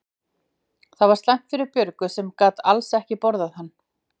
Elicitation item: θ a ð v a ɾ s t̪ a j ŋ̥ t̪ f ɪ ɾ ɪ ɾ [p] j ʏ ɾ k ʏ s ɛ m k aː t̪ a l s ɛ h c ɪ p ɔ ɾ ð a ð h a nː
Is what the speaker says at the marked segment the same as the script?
yes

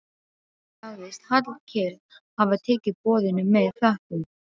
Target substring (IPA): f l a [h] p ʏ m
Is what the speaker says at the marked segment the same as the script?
yes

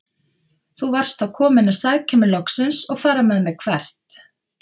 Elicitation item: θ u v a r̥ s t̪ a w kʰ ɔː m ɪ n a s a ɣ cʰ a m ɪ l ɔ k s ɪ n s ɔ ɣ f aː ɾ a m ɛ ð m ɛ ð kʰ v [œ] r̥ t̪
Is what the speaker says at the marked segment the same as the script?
no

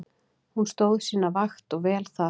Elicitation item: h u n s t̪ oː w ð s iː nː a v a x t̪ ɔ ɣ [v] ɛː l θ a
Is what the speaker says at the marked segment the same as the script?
yes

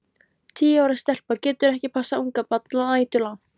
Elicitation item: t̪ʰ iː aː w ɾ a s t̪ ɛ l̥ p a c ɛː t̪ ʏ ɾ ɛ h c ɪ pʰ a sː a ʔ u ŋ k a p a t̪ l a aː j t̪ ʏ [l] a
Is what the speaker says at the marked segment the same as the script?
yes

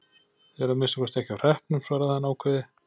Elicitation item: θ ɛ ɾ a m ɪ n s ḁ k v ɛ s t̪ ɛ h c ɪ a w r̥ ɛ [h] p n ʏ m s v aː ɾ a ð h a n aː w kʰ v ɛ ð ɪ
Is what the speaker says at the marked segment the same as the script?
yes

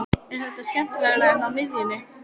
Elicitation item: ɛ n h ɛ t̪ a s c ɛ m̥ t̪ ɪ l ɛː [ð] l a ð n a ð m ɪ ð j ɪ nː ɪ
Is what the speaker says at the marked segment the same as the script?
no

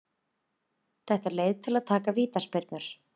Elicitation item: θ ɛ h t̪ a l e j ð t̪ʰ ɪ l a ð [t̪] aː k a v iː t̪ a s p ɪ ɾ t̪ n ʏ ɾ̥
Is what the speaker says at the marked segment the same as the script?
no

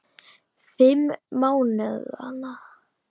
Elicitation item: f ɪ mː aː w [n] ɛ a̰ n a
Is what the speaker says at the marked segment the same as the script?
yes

